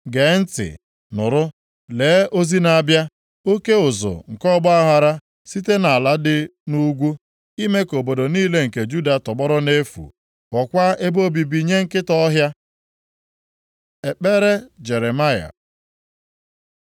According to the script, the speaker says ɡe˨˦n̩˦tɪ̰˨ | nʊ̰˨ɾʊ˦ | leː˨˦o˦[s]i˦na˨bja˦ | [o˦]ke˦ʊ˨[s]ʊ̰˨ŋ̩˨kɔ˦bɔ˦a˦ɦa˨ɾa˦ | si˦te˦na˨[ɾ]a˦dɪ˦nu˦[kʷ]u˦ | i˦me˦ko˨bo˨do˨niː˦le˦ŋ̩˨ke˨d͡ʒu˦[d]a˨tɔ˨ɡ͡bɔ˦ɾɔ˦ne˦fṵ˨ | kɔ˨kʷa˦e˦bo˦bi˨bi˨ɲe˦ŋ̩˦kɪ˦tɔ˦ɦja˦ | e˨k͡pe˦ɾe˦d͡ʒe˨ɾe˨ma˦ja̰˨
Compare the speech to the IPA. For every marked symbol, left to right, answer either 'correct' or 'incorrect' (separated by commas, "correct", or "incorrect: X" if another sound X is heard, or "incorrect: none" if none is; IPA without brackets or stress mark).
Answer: incorrect: z, correct, incorrect: z, incorrect: l, incorrect: ɡʷ, correct